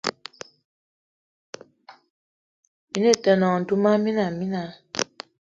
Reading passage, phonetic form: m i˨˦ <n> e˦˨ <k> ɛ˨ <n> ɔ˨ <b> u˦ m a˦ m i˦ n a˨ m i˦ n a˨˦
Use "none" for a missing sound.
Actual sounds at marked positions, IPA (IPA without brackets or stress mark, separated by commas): n, t, n, d